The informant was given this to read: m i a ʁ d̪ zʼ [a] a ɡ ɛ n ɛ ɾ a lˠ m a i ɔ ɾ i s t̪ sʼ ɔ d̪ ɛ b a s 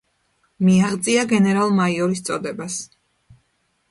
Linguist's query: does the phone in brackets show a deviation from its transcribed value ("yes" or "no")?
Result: yes